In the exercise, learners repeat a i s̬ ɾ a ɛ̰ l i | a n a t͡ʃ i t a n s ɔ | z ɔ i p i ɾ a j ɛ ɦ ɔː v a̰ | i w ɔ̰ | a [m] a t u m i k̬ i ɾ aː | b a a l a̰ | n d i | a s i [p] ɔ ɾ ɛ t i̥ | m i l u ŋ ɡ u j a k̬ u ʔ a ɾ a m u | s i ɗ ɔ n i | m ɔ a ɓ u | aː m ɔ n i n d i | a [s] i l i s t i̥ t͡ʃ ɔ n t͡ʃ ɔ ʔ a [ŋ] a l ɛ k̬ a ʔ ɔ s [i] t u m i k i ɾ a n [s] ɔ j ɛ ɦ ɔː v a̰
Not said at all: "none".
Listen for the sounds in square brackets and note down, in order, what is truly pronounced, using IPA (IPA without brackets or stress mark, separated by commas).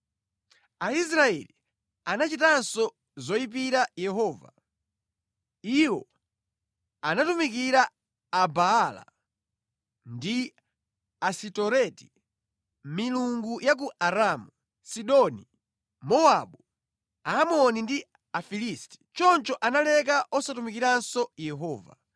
n, t, f, n, a, s